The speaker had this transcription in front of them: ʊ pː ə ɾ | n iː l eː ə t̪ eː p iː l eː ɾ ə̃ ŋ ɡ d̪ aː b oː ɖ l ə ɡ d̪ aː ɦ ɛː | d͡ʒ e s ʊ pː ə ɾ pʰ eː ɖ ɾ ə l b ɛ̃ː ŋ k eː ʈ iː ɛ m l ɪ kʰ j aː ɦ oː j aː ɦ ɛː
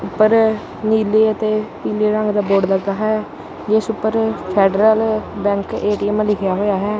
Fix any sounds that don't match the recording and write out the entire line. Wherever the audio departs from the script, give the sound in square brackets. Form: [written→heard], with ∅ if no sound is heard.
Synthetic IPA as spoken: ʊ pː ə ɾ | n iː l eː ə t̪ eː p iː l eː ɾ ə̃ ŋ ɡ d̪ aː b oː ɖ l ə ɡ d̪ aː ɦ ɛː | d͡ʒ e s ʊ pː ə ɾ pʰ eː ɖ ɾ ə l b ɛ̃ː ŋ k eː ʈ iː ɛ m l ɪ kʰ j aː ɦ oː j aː ɦ ɛː